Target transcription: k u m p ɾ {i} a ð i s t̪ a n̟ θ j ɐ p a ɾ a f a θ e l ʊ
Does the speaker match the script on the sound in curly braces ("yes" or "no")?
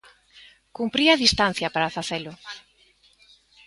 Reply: yes